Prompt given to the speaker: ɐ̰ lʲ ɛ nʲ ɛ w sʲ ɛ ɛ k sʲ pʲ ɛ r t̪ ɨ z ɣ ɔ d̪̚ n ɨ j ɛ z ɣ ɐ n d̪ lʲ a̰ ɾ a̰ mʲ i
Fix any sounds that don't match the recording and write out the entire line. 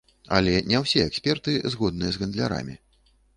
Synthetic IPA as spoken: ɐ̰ lʲ ɛ nʲ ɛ w sʲ ɛ ɛ k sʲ pʲ ɛ r t̪ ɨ z ɣ ɔ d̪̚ n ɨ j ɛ z ɣ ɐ n d̪ lʲ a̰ ɾ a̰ mʲ i